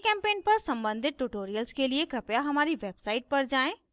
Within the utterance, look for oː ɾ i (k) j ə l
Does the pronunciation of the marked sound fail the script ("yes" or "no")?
yes